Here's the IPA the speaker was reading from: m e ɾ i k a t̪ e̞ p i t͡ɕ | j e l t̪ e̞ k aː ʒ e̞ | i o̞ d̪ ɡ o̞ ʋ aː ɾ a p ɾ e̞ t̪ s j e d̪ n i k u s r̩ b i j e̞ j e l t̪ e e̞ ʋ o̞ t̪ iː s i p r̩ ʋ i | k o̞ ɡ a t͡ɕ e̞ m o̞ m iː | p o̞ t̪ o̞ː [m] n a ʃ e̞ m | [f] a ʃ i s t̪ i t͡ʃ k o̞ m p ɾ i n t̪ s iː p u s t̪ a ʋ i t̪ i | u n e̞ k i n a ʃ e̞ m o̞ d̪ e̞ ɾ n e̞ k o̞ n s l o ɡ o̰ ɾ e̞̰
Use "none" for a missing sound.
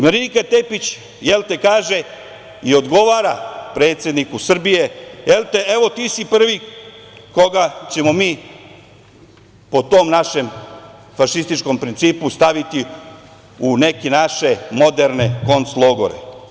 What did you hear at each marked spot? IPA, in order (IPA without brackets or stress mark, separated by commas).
m, f